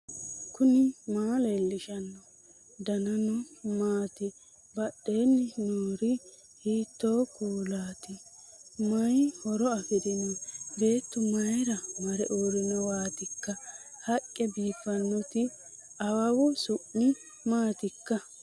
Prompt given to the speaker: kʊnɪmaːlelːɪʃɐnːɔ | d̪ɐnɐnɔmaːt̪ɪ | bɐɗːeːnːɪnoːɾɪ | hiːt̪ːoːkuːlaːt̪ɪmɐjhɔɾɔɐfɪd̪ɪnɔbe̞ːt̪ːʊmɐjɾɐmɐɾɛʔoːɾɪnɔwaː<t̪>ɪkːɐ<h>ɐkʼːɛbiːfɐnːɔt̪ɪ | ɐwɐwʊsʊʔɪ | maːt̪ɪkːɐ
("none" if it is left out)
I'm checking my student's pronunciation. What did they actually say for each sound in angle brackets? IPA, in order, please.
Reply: t̪, h

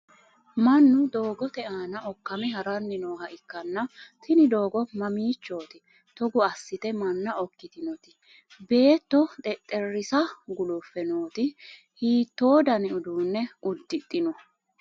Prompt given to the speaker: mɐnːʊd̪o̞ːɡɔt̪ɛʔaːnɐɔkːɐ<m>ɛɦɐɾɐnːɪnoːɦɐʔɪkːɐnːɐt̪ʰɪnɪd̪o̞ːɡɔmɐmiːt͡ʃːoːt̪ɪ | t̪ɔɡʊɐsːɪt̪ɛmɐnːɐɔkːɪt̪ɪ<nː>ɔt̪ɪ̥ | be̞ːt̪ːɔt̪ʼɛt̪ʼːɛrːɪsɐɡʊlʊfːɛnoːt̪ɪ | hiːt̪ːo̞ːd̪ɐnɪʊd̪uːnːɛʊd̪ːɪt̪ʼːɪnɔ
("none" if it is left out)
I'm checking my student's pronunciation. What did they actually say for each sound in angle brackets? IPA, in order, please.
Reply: m, n

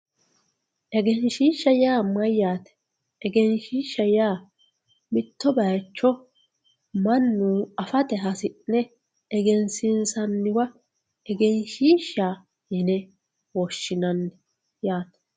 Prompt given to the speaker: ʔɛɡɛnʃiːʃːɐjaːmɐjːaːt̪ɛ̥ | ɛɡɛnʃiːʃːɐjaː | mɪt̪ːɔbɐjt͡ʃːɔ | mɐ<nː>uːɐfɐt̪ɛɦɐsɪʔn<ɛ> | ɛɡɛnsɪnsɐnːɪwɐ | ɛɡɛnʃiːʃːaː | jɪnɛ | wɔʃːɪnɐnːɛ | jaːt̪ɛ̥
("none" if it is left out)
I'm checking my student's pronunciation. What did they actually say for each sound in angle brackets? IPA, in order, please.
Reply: nː, ɛ

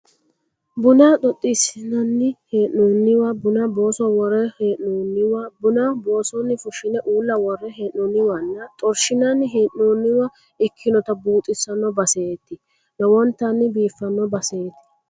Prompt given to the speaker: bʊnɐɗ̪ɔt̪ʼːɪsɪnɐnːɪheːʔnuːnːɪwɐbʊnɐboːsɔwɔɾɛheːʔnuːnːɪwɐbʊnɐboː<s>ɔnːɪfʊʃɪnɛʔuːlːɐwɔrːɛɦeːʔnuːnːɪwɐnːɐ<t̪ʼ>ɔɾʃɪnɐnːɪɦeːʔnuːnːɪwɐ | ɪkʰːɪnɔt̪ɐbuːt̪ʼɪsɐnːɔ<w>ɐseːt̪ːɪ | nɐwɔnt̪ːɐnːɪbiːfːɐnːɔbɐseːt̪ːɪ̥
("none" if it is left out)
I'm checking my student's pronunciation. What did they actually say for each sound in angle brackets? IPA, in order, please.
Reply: s, t̪ʼ, b

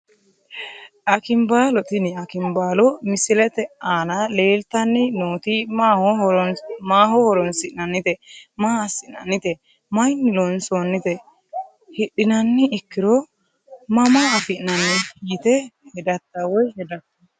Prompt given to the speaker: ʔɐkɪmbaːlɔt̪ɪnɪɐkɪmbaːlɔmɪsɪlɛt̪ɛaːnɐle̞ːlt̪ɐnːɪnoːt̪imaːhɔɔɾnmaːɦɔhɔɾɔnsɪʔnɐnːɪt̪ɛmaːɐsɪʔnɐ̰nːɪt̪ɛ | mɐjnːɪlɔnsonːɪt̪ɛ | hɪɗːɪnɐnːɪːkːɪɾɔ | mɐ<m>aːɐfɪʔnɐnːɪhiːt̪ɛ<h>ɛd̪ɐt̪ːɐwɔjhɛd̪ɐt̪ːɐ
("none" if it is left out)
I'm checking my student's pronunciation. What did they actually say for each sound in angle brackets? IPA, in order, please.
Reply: m, h

